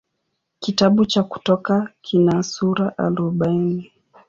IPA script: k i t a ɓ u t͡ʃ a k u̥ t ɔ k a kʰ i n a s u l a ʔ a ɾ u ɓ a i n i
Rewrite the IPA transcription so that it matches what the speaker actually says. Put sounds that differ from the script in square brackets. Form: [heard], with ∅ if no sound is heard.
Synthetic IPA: k i t a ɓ u t͡ʃ a k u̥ t ɔ k a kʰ i n a s u [ɾ] a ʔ a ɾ u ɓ a i n i